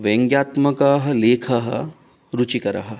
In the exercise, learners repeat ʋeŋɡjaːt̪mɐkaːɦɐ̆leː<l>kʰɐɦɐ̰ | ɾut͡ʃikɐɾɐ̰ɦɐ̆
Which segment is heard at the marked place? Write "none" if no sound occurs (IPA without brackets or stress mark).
none